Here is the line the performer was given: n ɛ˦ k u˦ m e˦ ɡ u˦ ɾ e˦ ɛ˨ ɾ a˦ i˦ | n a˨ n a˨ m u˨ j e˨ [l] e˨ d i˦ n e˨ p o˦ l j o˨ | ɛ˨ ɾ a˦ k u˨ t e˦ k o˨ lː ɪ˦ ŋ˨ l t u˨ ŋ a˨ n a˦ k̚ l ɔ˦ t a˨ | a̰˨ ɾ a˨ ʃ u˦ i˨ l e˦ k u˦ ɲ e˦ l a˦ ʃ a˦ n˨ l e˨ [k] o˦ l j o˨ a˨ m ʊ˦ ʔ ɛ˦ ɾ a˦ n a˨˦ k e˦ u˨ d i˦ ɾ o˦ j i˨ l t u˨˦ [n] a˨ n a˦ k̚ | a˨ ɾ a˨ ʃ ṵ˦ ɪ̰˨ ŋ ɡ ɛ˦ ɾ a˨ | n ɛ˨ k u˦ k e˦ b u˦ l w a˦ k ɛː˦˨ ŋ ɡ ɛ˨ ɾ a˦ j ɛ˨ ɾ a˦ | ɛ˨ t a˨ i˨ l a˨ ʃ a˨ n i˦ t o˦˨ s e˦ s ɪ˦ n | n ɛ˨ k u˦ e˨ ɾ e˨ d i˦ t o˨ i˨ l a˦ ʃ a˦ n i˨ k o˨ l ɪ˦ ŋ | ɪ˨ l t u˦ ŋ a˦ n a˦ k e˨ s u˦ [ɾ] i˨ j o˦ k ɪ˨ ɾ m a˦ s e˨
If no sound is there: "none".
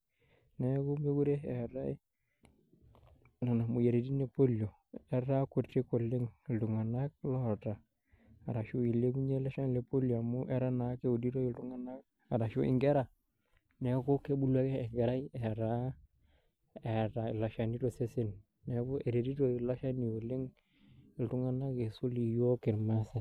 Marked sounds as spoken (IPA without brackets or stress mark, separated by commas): ɾ, p, ŋ, l